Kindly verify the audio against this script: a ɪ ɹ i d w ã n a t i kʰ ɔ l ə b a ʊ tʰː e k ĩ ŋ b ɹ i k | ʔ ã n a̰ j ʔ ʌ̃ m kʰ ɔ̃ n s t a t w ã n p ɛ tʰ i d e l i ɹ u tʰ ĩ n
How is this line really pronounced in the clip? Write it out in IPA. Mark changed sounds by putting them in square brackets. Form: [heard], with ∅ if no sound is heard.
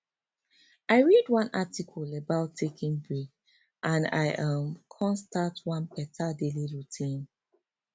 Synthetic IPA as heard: a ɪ ɹ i d w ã n a t i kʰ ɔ l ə b a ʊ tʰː e k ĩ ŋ b ɹ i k | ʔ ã n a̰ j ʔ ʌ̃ m kʰ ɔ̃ n s t a t w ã n p ɛ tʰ [a] d e l i ɹ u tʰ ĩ n